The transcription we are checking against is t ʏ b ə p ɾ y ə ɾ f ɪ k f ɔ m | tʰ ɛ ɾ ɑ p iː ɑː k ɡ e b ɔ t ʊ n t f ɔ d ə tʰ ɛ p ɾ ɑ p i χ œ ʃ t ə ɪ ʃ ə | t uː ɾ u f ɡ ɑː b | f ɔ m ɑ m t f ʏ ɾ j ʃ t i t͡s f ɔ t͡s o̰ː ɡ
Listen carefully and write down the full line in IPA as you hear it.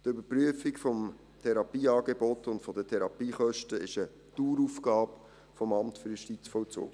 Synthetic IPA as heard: t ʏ b ə p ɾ y ə f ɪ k f ɔ m | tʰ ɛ ɾ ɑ p iː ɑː ɡ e b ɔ t ʊ n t f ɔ d ə tʰ ɛ ɾ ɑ p iː χ œ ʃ t ə ɪ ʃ ə | t uː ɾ u f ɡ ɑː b | f ɔ m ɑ m t f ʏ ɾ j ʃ t i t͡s f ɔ t͡s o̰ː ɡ